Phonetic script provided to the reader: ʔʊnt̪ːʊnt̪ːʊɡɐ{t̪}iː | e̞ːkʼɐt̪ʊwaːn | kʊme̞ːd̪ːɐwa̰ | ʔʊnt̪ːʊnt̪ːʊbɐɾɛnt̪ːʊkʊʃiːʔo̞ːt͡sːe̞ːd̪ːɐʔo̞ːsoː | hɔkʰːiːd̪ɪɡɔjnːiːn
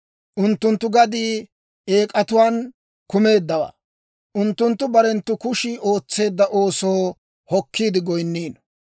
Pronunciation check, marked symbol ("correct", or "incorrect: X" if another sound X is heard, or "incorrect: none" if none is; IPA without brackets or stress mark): incorrect: d̪